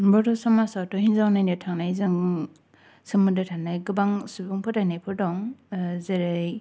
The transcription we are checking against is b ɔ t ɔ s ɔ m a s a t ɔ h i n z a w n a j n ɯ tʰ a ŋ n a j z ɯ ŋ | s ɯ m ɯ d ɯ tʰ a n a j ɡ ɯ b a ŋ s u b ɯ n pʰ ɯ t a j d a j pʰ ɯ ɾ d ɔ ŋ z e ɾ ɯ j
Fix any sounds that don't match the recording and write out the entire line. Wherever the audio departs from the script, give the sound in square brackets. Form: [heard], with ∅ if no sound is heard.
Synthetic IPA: b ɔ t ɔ s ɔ m a s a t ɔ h i n z a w n a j n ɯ tʰ a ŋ n a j z ɯ ŋ | s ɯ m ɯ d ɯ tʰ a n a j ɡ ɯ b a ŋ s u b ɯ [ŋ] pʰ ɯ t a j [n] a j pʰ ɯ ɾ d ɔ ŋ z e ɾ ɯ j

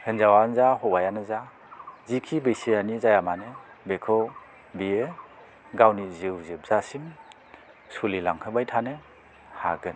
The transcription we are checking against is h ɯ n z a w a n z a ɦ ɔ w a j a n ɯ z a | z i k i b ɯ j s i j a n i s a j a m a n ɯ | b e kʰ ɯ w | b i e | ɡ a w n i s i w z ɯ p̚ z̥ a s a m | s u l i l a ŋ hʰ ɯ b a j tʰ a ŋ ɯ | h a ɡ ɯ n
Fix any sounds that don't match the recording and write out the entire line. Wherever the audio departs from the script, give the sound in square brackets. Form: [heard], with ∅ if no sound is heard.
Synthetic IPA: h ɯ n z a w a n z a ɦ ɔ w a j a n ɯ z a | z i [kʰ] i b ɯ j s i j a n i [z] a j a m a n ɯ | b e kʰ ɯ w | b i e | ɡ a w n i [z] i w z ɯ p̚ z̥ a s [i] m | s u l i l a ŋ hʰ ɯ b a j tʰ a [n] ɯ | h a ɡ ɯ n

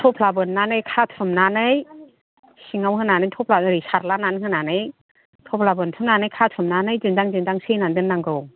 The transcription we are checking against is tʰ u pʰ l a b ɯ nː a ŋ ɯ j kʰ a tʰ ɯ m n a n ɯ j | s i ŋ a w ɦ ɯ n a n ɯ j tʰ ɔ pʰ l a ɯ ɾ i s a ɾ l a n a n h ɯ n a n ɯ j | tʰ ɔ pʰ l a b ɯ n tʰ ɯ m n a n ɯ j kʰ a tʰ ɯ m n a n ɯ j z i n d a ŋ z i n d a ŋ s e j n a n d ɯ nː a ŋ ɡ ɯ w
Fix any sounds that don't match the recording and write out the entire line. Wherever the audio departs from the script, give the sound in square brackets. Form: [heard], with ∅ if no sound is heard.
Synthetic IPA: tʰ [ɔ] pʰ l a b ɯ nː a [n] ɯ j kʰ a tʰ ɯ m n a n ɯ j | s i ŋ a w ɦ ɯ n a n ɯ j tʰ ɔ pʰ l a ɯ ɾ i s a ɾ l a n a n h ɯ n a n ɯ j | tʰ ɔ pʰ l a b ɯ n tʰ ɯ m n a n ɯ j kʰ a tʰ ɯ m n a n ɯ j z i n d a ŋ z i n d a ŋ s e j n a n d ɯ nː a ŋ ɡ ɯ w

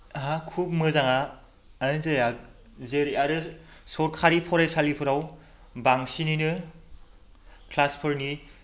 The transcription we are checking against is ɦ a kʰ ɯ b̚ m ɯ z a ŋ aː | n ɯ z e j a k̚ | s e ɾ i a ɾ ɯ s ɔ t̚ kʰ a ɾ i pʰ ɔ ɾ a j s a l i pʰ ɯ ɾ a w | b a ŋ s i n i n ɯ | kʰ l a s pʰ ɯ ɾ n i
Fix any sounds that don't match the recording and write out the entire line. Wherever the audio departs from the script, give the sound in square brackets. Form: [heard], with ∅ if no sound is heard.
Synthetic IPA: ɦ a kʰ [u] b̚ m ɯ z a ŋ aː | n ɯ z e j a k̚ | [z] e ɾ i a ɾ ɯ s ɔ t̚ kʰ a ɾ i pʰ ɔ ɾ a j s a l i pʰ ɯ ɾ a w | b a ŋ s i n i n ɯ | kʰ l a s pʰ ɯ ɾ n i

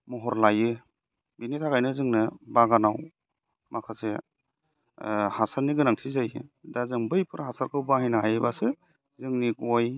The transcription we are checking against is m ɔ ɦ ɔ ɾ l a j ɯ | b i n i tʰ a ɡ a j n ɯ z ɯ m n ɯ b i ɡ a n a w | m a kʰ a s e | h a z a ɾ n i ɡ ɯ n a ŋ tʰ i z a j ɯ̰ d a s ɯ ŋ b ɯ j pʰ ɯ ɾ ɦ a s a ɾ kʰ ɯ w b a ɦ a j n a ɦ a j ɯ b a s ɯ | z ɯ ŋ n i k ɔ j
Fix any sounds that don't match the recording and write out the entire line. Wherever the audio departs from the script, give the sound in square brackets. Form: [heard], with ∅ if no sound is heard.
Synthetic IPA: m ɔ ɦ ɔ ɾ l a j ɯ | b i n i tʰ a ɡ a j n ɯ z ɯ [ŋ] n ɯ b [a] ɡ a n a w | m a kʰ a s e | h a [s] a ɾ n i ɡ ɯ n a ŋ tʰ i z a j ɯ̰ d a [z] ɯ ŋ b ɯ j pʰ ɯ ɾ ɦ a s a ɾ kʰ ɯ w b a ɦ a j n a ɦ a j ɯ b a s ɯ | z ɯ ŋ n i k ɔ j

